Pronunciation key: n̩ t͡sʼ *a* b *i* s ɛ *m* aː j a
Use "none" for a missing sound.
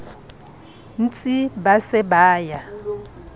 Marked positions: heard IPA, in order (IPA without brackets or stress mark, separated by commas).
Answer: i, a, b